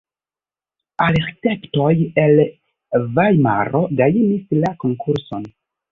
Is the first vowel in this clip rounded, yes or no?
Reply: no